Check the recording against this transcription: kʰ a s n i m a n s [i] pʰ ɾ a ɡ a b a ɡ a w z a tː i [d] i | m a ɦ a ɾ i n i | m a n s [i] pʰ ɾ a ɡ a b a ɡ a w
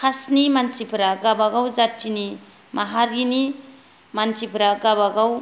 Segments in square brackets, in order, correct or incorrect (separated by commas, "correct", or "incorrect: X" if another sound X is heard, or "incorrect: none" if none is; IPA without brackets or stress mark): correct, incorrect: n, correct